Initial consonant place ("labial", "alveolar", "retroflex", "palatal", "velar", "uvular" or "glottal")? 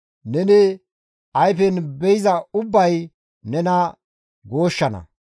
alveolar